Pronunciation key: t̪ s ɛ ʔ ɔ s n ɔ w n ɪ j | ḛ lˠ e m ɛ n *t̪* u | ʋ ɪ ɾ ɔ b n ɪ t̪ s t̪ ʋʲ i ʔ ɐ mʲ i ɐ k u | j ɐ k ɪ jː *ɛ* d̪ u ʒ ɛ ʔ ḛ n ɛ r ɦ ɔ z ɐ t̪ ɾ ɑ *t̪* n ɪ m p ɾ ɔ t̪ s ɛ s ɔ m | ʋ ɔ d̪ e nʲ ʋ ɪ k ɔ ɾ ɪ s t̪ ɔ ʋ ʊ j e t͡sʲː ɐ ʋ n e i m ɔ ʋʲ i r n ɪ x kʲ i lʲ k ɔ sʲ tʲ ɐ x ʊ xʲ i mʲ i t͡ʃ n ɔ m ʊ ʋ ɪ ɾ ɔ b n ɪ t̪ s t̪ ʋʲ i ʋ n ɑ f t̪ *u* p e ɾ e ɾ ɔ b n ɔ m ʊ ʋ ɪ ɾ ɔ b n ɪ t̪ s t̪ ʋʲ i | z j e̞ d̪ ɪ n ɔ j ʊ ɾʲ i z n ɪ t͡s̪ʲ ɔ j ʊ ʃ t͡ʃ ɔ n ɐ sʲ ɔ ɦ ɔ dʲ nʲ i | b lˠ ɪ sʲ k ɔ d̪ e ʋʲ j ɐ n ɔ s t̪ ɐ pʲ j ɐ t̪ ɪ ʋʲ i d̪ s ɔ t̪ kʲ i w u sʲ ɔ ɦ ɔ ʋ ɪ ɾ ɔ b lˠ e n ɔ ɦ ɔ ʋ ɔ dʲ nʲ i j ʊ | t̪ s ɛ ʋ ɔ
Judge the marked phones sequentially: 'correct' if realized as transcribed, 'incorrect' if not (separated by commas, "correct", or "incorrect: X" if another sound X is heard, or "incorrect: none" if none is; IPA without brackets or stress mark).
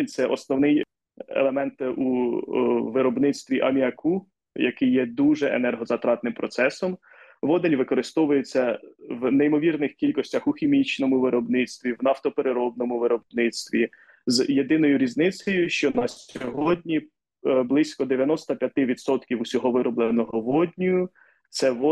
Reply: correct, correct, correct, incorrect: ɔ